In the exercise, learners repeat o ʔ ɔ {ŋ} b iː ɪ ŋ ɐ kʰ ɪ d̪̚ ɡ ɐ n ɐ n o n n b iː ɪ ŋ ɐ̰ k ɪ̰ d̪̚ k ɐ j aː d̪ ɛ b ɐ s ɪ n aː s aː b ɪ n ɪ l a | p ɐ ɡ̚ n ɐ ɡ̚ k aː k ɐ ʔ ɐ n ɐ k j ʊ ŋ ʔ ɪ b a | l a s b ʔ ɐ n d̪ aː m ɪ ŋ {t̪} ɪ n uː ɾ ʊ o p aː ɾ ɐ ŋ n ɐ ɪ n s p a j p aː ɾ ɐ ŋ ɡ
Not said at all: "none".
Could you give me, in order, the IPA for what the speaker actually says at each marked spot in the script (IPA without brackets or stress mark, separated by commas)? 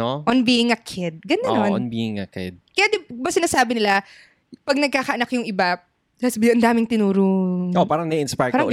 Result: n, t̪